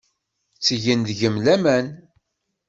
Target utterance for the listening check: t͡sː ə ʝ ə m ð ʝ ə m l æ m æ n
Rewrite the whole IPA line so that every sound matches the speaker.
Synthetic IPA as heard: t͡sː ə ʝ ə n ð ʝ ə m l æ m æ n